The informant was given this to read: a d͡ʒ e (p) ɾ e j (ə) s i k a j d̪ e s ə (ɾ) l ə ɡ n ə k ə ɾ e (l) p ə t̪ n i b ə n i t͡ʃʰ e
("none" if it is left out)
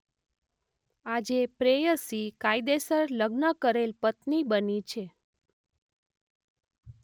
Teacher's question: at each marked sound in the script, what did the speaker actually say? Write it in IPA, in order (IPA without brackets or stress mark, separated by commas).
p, ə, ɾ, l